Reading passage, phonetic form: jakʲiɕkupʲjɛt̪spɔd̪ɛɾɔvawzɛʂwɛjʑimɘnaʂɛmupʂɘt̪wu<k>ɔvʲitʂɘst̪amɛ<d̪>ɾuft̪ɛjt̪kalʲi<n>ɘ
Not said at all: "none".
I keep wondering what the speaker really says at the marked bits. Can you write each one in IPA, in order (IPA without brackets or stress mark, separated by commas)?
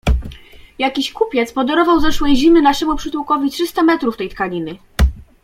k, t̪, n